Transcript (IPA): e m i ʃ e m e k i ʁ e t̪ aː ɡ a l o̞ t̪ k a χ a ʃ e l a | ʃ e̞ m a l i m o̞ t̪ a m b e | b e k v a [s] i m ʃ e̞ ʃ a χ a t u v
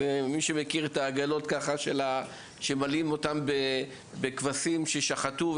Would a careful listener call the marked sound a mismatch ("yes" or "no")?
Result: no